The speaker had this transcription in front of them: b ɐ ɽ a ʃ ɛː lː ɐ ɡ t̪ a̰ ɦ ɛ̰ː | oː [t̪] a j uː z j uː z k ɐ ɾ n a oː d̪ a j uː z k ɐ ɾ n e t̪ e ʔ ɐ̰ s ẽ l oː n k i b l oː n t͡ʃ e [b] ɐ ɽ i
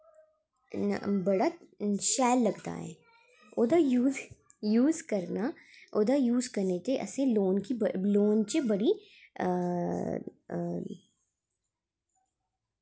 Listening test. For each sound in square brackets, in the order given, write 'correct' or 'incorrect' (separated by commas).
incorrect, correct